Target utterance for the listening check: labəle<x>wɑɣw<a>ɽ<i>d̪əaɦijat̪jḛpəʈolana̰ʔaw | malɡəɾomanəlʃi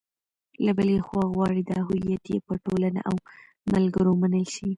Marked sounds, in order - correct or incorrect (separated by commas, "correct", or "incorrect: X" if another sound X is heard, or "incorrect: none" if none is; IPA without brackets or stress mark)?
correct, incorrect: ɑ, correct